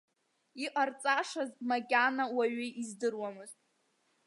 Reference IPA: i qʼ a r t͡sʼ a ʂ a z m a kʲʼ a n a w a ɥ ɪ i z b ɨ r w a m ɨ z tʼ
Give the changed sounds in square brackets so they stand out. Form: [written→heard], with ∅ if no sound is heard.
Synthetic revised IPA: i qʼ a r t͡sʼ a ʂ a z m a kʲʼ a n a w a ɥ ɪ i z [b→d] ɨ r w a m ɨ z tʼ